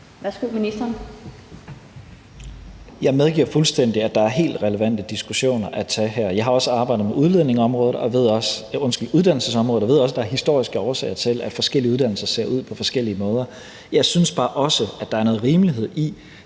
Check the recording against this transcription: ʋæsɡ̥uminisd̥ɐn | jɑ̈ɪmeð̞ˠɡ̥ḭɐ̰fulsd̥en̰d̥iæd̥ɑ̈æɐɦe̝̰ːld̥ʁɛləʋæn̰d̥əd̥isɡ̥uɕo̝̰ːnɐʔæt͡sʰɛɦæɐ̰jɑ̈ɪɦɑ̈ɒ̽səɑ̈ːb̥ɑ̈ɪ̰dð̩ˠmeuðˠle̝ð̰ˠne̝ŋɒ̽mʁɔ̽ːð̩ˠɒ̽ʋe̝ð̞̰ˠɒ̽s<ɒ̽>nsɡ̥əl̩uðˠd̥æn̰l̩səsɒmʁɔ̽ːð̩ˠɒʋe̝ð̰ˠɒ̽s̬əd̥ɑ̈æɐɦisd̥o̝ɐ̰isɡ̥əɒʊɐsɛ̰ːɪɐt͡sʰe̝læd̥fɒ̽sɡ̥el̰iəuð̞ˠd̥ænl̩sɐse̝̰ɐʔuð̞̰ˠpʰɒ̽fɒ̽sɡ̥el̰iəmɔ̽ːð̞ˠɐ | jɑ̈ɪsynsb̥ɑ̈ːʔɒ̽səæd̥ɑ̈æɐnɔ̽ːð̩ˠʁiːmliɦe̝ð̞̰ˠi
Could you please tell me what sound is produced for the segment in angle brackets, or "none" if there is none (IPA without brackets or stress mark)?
ɔ̽